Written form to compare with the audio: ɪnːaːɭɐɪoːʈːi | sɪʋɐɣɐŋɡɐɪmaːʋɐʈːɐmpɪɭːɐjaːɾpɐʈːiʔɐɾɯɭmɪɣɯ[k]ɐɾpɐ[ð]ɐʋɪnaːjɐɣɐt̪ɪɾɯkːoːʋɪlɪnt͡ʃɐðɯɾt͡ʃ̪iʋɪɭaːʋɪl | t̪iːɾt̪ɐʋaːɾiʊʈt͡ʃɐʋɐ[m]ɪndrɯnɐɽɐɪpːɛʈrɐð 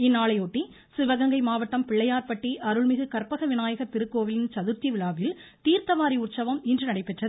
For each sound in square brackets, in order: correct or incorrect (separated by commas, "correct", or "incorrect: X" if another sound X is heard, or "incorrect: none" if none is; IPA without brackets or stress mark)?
correct, incorrect: ɣ, correct